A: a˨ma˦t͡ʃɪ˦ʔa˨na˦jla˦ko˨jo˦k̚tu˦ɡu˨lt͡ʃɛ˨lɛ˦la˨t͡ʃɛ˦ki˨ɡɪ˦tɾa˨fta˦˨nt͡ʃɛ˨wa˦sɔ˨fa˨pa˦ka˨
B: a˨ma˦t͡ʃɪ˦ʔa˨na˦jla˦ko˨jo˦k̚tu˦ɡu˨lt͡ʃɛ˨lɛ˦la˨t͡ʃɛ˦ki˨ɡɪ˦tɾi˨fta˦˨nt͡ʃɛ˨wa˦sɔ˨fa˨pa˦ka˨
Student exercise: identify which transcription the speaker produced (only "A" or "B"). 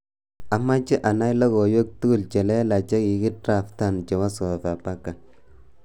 A